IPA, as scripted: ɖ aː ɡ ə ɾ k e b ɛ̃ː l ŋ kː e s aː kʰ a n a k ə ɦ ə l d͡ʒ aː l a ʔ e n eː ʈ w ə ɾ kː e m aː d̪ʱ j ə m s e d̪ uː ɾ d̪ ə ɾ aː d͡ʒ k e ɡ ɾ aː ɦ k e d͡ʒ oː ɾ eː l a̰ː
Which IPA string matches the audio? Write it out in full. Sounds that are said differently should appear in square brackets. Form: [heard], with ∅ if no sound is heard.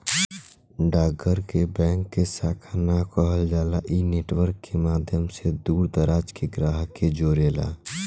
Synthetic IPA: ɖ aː ɡ ə ɾ k e b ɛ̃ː [∅] ŋ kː e s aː kʰ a n a k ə ɦ ə l d͡ʒ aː l a ʔ [i] n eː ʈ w ə ɾ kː e m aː d̪ʱ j ə m s e d̪ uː ɾ d̪ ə ɾ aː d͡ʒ k e ɡ ɾ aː ɦ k e d͡ʒ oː ɾ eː l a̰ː